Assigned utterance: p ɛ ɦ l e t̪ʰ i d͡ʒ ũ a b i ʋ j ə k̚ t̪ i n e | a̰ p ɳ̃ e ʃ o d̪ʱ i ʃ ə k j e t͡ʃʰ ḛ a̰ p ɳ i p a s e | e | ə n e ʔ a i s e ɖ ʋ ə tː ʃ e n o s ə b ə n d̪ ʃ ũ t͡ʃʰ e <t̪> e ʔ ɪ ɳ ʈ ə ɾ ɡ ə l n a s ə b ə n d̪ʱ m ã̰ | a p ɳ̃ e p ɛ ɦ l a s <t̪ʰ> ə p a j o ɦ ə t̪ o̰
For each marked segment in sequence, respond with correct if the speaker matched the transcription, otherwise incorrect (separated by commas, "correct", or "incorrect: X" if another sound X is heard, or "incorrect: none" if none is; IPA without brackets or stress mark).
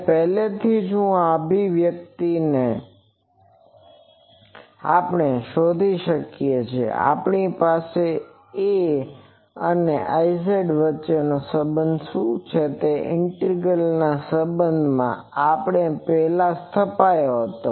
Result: correct, correct